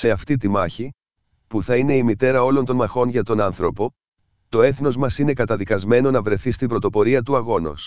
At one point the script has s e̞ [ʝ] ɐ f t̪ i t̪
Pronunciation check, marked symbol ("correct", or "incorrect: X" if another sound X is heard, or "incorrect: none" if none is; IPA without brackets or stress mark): incorrect: none